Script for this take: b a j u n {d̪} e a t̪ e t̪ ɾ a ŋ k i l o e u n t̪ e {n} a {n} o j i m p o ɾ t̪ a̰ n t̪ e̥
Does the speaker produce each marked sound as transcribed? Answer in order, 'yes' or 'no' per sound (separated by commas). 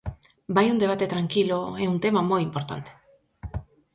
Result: yes, no, no